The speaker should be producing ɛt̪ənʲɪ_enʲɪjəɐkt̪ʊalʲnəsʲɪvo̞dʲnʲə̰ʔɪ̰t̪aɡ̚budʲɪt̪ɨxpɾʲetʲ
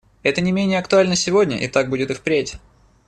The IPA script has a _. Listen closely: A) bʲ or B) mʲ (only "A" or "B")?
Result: B